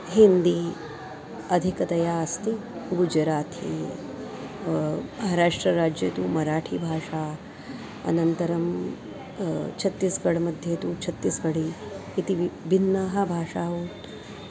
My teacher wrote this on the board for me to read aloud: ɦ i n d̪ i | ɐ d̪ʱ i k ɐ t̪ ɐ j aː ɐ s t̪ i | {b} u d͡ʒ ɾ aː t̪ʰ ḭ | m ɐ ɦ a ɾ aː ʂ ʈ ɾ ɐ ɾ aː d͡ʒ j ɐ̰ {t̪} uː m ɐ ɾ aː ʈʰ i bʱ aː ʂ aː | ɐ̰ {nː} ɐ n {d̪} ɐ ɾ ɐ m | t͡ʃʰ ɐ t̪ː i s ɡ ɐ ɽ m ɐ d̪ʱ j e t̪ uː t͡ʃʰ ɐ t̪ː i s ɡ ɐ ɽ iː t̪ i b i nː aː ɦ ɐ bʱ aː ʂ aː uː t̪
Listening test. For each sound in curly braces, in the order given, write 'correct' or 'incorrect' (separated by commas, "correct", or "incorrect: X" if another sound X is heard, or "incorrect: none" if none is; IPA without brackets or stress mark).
incorrect: ɡ, correct, incorrect: n, incorrect: t̪